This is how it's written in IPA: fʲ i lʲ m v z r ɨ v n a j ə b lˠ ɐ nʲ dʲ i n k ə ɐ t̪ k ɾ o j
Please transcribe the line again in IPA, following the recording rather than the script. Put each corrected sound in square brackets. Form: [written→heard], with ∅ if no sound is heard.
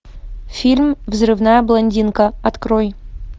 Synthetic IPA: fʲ i lʲ m v z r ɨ v n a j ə b lˠ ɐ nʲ dʲ i n k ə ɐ t̪ k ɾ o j

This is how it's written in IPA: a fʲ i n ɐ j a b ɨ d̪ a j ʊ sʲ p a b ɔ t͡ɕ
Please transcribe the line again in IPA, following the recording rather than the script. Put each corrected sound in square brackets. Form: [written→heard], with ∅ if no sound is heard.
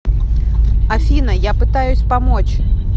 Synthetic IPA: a fʲ i n ɐ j a [b→p] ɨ [d̪→t̪] a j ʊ sʲ p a [b→m] ɔ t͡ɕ

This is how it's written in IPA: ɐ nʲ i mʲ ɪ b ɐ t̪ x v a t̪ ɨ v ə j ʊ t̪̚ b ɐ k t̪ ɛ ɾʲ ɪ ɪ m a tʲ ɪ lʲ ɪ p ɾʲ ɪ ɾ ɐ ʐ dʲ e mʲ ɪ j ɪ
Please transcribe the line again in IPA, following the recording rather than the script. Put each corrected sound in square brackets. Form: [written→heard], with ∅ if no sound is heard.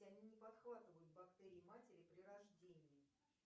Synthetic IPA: ɐ nʲ i [mʲ→nʲ] ɪ [b→p] ɐ t̪ x v a t̪ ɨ v ə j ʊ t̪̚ b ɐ k t̪ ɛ ɾʲ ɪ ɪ m a tʲ ɪ [lʲ→ɾʲ] ɪ p ɾʲ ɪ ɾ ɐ ʐ dʲ e [mʲ→nʲ] ɪ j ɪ

